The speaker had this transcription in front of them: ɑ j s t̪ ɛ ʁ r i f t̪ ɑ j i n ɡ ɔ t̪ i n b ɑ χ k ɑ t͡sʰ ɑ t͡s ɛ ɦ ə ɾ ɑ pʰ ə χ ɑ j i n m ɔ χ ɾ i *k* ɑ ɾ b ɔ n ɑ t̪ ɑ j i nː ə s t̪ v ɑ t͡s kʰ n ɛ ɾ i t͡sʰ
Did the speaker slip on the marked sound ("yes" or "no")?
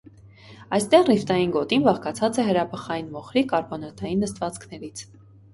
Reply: no